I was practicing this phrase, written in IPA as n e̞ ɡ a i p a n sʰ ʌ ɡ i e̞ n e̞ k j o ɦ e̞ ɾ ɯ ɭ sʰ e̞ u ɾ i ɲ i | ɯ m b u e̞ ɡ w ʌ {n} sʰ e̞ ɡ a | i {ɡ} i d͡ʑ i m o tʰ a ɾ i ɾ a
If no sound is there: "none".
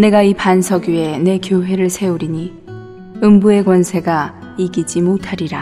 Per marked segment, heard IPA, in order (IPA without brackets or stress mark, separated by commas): n, ɡ